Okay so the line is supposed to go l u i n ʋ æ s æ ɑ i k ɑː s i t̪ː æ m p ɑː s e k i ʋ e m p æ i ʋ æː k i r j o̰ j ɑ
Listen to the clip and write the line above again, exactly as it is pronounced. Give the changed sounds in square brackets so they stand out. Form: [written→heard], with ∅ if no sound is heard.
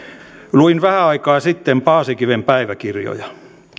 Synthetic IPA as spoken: l u i n ʋ æ [s→h] æ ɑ i k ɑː s i t̪ː [æ→e] m p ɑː s [e→i] k i ʋ e m p æ i ʋ [æː→æ] k i r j o̰ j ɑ